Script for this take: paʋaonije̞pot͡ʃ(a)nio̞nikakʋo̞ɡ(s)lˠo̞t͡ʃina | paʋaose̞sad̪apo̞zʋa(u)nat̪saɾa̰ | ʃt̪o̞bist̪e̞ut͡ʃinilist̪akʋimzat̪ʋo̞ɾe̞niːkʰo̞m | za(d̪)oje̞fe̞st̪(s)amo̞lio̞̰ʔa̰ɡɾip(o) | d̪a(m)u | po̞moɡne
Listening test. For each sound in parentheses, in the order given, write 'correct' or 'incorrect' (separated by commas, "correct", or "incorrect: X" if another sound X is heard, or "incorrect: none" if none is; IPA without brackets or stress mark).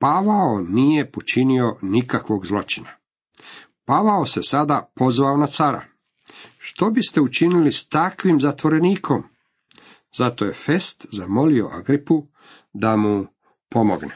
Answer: incorrect: i, incorrect: z, incorrect: o, incorrect: t̪, incorrect: z, incorrect: u, correct